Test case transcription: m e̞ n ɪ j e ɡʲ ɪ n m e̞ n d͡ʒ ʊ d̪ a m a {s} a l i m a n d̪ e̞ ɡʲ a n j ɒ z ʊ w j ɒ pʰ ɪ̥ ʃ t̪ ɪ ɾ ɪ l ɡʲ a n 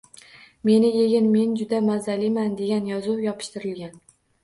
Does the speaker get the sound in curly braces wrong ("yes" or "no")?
yes